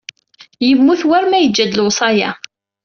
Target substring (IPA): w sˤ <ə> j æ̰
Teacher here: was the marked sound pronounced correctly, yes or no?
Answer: no